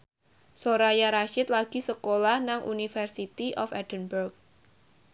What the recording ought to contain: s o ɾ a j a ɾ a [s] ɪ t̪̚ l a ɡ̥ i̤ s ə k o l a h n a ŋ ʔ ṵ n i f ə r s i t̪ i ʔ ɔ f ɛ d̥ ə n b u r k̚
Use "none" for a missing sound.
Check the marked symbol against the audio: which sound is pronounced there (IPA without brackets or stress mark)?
ʃ